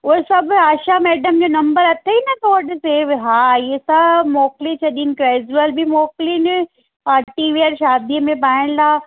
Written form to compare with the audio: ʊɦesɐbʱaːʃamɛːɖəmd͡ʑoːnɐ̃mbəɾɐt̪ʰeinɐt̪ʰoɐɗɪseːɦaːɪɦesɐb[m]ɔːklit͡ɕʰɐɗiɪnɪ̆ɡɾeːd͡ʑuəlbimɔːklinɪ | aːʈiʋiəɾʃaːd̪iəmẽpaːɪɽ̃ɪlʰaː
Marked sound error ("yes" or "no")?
no